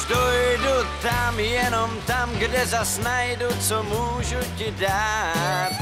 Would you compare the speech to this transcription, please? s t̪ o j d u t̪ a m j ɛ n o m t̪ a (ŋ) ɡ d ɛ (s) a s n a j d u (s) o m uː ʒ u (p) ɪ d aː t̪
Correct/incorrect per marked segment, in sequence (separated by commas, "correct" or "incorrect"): incorrect, incorrect, incorrect, incorrect